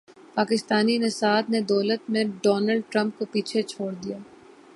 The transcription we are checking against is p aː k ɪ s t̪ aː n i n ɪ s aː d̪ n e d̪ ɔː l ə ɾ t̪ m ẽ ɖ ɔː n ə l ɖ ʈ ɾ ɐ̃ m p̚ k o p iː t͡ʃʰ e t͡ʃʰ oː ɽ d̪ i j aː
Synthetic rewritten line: p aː k ɪ s t̪ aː n i n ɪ s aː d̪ n e d̪ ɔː l ə t̪ m ẽ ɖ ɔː n ə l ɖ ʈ ɾ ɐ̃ m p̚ k o p iː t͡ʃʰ e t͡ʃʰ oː ɽ d̪ i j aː